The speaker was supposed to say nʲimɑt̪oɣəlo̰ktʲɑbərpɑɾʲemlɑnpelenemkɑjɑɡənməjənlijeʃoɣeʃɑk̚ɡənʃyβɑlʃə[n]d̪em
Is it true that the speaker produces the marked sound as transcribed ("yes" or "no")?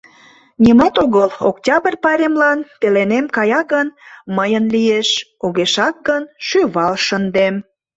yes